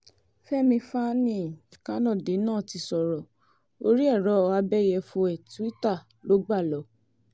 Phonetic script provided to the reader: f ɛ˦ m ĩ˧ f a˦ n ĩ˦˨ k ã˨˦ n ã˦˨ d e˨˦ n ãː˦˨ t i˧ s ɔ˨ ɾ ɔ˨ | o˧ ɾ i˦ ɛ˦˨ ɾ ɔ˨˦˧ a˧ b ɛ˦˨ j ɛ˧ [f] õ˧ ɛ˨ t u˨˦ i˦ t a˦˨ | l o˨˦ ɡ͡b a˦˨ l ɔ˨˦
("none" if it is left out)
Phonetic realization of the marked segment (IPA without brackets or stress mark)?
f